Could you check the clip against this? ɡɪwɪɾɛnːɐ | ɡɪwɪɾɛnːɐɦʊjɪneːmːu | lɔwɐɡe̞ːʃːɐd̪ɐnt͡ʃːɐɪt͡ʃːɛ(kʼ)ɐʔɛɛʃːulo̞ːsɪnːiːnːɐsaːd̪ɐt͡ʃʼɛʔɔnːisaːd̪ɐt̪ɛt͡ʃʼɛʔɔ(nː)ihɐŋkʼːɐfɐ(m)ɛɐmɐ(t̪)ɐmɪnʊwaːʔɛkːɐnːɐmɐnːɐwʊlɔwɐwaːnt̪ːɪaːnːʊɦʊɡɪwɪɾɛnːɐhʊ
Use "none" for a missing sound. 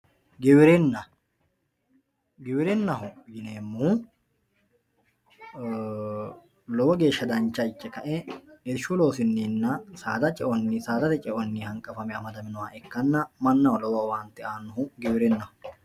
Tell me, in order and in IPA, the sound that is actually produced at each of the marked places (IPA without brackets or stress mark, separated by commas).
k, nː, m, d̪